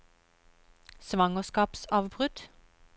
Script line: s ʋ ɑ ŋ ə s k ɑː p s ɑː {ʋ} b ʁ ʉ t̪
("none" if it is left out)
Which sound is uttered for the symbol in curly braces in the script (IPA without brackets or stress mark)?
ʋ